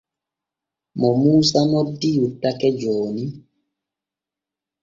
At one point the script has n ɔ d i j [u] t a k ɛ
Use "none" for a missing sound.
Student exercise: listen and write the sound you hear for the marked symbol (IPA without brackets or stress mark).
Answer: u